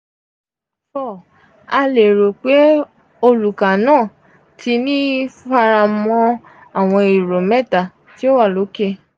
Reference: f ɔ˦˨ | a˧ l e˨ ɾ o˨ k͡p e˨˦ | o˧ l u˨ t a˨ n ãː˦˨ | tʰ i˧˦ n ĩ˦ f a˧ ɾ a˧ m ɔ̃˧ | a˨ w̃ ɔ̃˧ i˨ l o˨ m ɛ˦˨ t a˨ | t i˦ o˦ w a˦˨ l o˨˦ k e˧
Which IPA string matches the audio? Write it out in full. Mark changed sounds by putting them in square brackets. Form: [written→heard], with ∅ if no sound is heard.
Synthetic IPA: f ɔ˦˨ | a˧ l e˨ ɾ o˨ k͡p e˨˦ | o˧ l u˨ [t→k] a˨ n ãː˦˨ | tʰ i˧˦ n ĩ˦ f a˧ ɾ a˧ m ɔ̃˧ | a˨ w̃ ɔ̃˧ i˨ [l→ɾ] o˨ m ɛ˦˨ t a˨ | t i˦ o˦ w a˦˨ l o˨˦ k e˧